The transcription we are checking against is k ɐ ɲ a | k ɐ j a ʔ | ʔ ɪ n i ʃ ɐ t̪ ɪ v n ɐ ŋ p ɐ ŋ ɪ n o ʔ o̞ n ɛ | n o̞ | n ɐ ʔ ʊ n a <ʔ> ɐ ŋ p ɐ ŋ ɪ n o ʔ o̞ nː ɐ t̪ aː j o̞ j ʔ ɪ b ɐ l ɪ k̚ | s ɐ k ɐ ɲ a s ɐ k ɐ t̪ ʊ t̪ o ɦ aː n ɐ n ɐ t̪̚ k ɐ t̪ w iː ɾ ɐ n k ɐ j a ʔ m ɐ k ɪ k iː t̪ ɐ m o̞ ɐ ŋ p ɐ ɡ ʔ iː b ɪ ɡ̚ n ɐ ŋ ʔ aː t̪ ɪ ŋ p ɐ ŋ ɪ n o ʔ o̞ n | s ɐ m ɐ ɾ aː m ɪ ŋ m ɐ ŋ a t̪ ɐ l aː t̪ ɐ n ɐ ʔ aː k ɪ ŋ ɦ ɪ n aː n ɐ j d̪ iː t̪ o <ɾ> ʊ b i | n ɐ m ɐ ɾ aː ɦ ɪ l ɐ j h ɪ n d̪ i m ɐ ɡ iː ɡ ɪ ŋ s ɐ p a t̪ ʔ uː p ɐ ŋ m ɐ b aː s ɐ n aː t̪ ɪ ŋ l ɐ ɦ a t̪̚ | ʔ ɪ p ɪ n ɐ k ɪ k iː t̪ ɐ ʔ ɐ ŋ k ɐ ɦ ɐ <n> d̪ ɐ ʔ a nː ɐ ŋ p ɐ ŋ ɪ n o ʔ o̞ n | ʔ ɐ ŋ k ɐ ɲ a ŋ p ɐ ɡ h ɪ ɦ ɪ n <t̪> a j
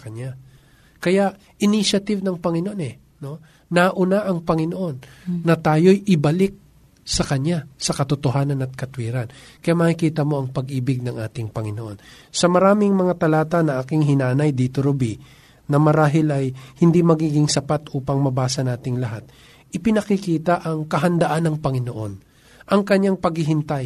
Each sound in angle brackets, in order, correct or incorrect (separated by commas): correct, correct, correct, correct